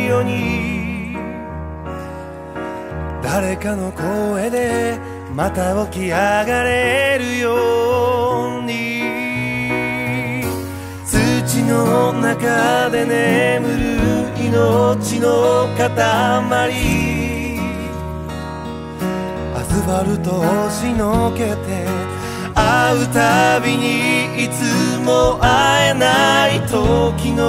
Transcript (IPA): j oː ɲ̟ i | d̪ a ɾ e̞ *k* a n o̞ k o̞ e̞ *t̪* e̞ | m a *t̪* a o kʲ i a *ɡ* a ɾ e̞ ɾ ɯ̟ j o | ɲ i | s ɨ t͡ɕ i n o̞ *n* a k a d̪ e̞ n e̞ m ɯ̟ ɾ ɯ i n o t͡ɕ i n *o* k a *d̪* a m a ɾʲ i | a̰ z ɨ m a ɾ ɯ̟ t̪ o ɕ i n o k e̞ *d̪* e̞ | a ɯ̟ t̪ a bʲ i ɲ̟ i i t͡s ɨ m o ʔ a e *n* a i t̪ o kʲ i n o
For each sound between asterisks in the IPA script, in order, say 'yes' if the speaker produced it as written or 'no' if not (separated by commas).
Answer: yes, no, yes, yes, yes, yes, no, no, yes